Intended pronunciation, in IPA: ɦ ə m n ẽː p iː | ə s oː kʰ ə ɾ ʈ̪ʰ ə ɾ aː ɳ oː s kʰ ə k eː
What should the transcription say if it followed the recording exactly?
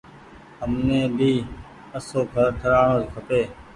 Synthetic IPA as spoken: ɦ ə m n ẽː b iː | ə s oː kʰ ə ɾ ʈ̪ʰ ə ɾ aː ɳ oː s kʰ ə p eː